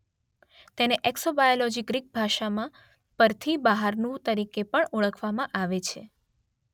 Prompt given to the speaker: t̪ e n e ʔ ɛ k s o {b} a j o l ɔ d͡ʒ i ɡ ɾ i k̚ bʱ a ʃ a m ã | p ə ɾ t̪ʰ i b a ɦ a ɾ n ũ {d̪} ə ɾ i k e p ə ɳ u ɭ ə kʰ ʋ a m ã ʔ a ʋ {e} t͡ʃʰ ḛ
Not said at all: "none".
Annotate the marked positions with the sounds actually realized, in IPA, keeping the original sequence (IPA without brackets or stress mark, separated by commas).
b, t̪, e